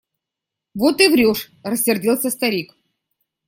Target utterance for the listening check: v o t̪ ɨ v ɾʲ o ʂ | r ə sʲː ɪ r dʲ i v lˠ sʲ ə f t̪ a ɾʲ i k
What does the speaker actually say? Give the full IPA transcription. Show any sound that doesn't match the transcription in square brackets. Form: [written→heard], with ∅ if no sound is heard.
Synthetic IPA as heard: v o t̪ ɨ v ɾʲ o ʂ | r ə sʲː ɪ r dʲ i [v→∅] lˠ sʲ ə [f→s] t̪ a ɾʲ i k